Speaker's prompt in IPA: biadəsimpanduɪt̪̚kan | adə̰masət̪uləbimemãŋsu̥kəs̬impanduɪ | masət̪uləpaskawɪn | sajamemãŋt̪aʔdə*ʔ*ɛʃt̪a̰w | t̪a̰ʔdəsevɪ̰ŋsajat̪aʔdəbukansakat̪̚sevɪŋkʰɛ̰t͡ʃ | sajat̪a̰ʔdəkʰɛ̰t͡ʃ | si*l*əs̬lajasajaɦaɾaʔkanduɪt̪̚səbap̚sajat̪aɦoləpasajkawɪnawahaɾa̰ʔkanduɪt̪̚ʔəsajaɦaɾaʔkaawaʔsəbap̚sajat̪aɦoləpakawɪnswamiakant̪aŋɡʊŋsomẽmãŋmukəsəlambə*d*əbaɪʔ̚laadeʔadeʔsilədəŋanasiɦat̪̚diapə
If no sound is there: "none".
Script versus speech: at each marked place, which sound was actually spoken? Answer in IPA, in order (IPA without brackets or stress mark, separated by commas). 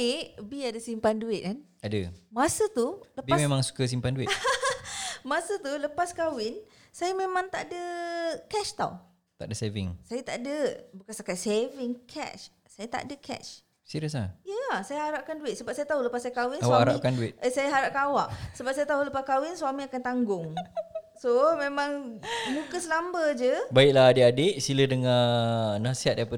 k, ɾ, d͡ʒ